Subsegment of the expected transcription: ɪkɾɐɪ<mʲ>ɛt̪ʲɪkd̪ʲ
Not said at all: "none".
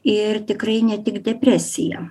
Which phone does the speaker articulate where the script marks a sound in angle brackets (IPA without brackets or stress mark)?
nʲ